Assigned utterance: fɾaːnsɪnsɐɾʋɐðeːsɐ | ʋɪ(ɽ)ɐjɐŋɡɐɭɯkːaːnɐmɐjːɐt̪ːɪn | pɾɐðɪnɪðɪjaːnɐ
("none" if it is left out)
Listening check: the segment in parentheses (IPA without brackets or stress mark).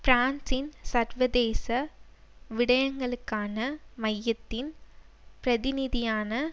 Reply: ɽ